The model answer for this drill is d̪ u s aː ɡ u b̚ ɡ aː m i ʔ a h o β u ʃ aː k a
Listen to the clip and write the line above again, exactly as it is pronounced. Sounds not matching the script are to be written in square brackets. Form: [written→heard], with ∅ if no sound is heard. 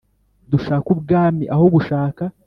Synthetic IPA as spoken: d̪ u [s→ʃ] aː [ɡ→k] u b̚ ɡ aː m i ʔ a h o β u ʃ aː k a